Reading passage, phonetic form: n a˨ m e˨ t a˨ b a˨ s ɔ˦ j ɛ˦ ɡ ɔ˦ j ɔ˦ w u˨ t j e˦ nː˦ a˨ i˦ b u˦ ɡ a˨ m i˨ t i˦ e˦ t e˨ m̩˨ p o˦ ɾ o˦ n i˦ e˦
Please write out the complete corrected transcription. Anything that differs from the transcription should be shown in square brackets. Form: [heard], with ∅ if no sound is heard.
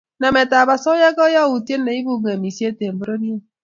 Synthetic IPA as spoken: n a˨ m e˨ t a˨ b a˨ s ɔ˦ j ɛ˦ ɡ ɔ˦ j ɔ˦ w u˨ t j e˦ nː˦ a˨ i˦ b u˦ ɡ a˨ m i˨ [s] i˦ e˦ t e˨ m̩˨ [b] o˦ ɾ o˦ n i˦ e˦